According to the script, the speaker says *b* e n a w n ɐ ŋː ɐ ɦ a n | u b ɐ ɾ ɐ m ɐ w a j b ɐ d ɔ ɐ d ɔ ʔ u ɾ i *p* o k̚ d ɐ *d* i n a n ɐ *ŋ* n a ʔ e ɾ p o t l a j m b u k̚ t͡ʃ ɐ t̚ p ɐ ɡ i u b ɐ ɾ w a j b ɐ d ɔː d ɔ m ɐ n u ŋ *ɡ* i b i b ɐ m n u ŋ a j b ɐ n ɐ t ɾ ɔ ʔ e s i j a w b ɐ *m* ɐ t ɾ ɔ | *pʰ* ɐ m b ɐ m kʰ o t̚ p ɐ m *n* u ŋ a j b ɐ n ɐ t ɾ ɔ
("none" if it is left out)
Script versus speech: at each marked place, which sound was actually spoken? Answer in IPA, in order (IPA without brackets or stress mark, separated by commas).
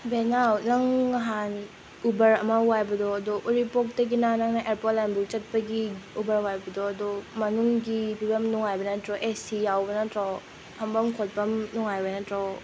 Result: b, p, ɡ, ŋ, ɡ, n, pʰ, n